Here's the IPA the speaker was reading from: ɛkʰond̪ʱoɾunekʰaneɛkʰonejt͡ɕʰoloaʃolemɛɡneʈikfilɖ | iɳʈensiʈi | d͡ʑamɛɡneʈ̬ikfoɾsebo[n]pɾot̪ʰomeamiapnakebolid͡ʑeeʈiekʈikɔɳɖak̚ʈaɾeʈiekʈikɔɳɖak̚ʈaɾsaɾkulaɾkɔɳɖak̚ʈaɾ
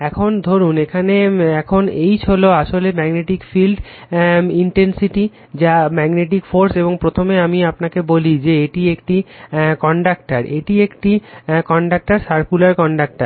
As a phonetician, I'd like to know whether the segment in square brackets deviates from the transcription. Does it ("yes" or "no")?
yes